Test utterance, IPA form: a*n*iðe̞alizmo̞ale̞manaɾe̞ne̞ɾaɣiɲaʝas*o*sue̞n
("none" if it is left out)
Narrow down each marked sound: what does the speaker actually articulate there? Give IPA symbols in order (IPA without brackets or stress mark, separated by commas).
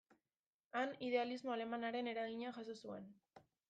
n, o